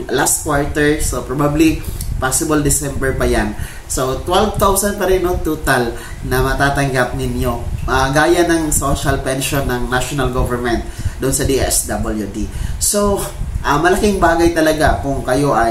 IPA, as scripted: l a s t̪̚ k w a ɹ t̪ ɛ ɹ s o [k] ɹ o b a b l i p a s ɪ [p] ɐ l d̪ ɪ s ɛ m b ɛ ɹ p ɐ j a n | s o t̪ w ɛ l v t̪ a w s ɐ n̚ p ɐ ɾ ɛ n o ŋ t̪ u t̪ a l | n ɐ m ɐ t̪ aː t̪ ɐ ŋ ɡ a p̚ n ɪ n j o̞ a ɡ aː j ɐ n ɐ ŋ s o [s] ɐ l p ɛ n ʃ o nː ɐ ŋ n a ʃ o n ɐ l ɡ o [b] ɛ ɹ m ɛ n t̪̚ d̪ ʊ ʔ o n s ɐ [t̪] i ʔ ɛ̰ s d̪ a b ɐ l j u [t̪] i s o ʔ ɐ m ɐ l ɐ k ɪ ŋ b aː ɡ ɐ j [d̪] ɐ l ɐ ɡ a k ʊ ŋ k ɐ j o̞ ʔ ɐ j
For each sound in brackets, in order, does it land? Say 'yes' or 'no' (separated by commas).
no, no, no, no, no, no, no